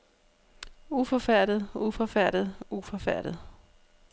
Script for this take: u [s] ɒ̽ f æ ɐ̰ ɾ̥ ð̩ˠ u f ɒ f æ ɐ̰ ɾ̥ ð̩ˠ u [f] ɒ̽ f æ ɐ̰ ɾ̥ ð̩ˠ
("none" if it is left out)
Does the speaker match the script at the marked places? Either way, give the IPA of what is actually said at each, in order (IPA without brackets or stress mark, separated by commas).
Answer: f, f